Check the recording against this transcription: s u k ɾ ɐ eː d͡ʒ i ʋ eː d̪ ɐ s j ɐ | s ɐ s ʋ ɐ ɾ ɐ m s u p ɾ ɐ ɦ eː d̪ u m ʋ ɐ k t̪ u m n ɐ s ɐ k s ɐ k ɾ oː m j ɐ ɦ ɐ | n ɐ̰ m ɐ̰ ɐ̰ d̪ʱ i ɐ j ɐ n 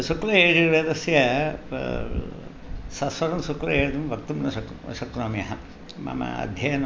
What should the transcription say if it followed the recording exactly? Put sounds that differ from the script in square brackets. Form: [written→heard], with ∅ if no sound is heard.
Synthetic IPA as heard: s u k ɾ ɐ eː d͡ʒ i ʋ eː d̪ ɐ s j ɐ | s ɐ s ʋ ɐ ɾ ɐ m s u [p→k] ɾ ɐ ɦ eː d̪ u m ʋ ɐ k t̪ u m n ɐ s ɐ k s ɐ k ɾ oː m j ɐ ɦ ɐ | [n→m] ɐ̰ m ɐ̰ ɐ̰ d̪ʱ [i→j] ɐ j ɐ n